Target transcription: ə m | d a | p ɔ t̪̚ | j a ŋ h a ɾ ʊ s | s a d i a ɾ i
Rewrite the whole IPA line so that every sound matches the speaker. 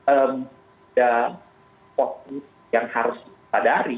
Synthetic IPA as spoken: ə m | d a | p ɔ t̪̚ | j a ŋ h a ɾ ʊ s | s a d a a ɾ i